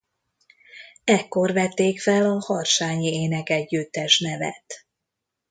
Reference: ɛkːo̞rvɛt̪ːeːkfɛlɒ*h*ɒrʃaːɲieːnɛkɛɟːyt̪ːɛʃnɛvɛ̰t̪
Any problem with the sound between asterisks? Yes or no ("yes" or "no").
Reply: no